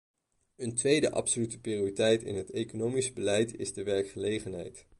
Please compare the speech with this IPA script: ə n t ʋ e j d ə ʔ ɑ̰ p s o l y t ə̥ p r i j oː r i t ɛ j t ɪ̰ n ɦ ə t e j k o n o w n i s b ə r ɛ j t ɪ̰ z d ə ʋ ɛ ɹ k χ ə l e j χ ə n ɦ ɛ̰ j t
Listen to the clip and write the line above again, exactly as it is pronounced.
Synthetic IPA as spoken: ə n t ʋ e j d ə ʔ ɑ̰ p s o l y t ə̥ p r i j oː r i t ɛ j t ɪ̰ n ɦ ə t e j k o n o w m i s b ə l ɛ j t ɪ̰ z d ə ʋ ɛ ɹ k χ ə l e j χ ə n ɦ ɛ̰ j t